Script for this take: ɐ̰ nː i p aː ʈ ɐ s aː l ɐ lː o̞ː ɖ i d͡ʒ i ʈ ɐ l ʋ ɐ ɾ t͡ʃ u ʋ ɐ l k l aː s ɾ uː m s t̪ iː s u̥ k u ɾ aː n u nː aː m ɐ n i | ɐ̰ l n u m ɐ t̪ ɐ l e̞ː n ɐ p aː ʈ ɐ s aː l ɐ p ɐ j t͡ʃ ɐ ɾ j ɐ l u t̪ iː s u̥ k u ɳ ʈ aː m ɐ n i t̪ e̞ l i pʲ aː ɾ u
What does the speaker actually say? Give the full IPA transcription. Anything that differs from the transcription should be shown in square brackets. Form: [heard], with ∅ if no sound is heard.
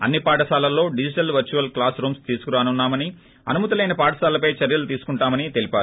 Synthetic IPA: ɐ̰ nː i p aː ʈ ɐ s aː l ɐ lː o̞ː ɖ i d͡ʒ i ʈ ɐ l ʋ ɐ ɾ t͡ʃ u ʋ ɐ l k l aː s ɾ uː m s t̪ iː s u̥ k u ɾ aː n u nː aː m ɐ n i | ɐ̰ [∅] n u m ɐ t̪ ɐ l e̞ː n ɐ p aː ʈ ɐ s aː l ɐ p ɐ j t͡ʃ ɐ ɾ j ɐ l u t̪ iː s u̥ k u ɳ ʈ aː m ɐ n i t̪ e̞ l i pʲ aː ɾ u